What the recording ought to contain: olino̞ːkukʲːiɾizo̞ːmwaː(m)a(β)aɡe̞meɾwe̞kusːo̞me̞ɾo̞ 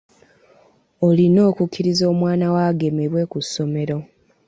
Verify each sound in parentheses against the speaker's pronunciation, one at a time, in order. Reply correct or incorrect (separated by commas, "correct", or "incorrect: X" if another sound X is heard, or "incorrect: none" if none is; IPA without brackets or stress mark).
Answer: incorrect: n, incorrect: w